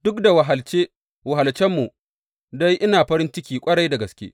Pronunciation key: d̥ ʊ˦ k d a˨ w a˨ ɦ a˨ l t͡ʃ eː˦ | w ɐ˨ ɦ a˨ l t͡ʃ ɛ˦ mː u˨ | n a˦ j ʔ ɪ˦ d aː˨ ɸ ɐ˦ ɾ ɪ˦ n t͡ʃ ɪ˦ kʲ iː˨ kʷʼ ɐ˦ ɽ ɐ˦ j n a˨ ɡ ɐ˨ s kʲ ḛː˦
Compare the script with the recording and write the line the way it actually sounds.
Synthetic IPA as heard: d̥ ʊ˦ k d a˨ w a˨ ɦ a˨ l t͡ʃ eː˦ | w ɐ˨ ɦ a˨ l t͡ʃ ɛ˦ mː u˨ | d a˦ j ʔ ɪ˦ n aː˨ ɸ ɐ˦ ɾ ɪ˦ n t͡ʃ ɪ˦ kʲ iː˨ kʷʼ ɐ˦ ɽ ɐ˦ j d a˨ ɡ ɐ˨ s kʲ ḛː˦